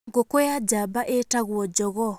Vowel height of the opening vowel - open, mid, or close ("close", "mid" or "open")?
mid